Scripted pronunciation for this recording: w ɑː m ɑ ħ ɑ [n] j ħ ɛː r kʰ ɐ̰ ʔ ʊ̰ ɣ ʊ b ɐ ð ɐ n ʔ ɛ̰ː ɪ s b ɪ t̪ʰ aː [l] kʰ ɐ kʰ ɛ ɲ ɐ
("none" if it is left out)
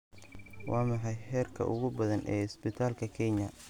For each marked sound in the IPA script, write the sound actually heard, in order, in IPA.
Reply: none, l

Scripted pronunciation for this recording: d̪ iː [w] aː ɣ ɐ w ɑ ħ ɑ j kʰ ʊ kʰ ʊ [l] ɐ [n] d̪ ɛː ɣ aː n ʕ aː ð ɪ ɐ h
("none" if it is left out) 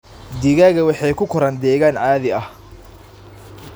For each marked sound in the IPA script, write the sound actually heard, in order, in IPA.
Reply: ɣ, ɾ, n

